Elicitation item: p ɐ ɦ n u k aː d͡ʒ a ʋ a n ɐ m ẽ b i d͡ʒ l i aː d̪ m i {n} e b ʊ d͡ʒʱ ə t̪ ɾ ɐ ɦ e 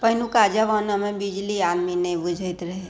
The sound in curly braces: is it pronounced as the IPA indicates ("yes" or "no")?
yes